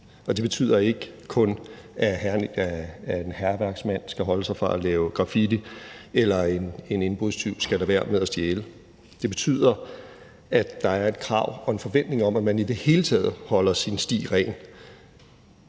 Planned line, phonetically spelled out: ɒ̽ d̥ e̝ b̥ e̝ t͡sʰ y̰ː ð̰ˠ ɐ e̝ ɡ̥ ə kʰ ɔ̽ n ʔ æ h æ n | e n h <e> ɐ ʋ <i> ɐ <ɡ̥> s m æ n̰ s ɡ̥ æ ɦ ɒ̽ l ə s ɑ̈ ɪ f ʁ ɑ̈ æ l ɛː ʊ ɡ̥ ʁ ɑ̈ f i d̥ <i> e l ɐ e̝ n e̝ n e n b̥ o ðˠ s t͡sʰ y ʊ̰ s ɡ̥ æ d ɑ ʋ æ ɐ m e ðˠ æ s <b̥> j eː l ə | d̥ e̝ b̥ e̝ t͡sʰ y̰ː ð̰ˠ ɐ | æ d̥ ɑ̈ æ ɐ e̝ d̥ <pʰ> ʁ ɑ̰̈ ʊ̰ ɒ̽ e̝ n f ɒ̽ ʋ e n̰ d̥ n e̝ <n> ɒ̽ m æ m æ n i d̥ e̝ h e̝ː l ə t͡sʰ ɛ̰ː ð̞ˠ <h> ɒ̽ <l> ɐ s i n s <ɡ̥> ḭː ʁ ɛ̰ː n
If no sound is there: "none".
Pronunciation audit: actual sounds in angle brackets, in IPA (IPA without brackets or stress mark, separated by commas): æ, æ, ɡ̥, i, d̥, kʰ, ŋ, h, l, d̥